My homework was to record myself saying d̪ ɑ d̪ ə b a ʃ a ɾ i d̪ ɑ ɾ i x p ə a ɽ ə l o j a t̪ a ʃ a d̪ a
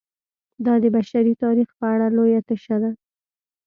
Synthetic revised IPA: d̪ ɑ d̪ ə b a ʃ a ɾ i t̪ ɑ ɾ i x p ə a ɽ a l o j a t̪ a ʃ a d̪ a